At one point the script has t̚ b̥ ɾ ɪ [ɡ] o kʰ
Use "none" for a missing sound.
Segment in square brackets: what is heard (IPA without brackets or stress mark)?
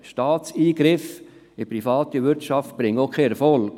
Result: ŋ